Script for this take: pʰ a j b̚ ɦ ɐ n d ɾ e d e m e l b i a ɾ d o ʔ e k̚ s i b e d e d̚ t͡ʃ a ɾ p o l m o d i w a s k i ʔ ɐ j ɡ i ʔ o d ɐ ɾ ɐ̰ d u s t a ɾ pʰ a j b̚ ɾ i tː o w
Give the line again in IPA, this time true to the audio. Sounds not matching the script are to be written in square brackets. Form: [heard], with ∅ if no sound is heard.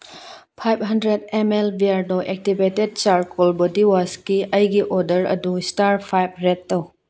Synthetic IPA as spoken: pʰ a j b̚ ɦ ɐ n d ɾ e d e m e l b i a ɾ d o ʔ e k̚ [t] i b e [t] e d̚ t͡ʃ a ɾ [k] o l [b] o d i w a s k i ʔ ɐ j ɡ i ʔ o d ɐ ɾ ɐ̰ d u s t a ɾ pʰ a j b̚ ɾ [e] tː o w